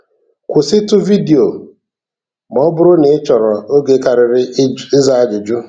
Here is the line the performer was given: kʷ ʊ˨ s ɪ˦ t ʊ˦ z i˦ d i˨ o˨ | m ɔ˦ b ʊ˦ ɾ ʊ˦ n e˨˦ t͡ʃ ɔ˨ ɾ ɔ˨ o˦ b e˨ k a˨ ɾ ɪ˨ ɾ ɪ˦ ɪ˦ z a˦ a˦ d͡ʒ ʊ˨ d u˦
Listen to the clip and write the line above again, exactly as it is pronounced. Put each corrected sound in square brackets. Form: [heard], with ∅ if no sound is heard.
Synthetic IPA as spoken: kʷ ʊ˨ s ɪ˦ t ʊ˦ [v] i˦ d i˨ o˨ | m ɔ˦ b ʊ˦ ɾ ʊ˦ n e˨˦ t͡ʃ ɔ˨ ɾ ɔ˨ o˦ [ɡ] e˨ k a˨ ɾ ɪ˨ ɾ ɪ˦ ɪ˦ z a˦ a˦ d͡ʒ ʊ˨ [d͡ʒ] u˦